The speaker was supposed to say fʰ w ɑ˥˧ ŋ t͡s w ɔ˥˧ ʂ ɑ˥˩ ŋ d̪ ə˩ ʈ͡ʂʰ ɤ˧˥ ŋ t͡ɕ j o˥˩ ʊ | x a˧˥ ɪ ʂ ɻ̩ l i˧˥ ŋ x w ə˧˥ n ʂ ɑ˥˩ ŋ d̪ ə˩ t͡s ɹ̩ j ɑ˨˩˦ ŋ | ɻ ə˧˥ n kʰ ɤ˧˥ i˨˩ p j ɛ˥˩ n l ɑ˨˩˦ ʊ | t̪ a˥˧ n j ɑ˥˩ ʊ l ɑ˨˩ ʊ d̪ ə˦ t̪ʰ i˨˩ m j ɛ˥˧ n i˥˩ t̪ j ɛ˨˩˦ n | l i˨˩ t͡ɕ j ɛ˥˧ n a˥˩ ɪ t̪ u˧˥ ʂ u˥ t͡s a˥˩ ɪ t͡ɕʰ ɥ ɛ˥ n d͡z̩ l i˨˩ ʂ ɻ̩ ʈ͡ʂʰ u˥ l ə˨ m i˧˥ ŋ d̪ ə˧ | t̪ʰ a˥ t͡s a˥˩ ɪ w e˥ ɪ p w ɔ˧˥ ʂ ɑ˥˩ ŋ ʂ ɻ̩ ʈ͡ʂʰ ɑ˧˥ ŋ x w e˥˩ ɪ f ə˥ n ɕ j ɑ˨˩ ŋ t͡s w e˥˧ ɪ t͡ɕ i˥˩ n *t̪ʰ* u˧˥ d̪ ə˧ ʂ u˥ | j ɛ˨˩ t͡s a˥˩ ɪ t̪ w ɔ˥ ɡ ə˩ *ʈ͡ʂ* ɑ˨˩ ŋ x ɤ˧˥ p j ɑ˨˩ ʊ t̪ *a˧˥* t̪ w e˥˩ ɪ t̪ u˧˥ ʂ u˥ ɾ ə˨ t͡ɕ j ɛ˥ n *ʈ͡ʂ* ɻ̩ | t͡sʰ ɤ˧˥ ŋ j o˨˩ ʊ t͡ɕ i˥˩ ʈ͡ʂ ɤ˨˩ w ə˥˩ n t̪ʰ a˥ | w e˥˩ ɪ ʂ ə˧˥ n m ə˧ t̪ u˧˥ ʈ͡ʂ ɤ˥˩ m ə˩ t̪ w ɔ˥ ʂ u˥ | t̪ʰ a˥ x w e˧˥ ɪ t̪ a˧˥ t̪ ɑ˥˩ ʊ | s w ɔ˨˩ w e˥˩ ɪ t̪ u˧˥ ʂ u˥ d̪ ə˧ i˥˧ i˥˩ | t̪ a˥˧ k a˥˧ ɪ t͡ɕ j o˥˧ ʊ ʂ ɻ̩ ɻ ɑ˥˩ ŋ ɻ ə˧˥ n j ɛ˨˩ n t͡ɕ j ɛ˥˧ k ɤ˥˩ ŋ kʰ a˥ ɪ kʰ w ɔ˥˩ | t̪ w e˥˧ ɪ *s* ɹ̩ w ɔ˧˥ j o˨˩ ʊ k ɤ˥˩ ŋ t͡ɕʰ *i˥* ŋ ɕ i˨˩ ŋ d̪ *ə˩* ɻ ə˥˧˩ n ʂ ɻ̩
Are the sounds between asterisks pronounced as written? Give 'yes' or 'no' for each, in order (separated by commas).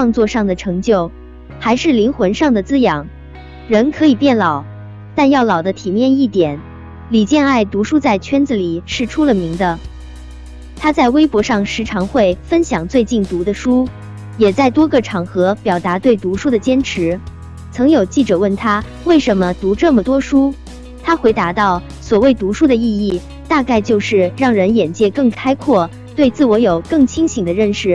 no, no, yes, no, no, yes, no